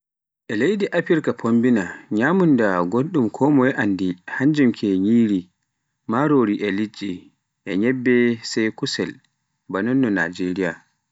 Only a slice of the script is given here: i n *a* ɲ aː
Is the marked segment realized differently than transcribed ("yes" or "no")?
no